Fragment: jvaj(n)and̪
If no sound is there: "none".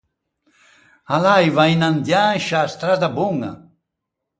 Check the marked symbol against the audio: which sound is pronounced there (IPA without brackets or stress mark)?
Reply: n